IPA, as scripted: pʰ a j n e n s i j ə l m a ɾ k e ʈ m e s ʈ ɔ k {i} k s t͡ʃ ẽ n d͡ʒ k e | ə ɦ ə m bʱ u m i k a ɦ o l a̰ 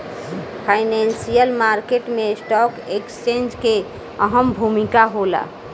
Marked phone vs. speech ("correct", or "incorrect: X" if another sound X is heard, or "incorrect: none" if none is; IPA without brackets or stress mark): incorrect: e